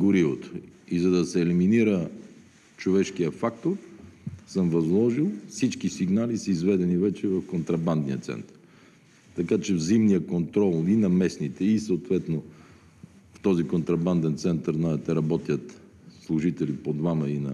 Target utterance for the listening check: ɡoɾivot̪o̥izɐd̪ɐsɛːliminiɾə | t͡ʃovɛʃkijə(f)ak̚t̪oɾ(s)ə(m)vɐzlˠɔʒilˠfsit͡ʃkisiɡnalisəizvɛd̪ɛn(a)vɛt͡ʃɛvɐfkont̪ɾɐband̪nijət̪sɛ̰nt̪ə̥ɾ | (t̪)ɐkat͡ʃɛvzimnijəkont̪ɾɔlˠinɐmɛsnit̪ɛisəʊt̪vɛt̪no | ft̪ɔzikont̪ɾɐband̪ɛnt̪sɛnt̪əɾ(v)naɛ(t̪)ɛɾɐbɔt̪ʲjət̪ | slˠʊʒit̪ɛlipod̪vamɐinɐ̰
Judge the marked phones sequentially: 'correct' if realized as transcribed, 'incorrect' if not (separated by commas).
correct, correct, correct, incorrect, correct, incorrect, correct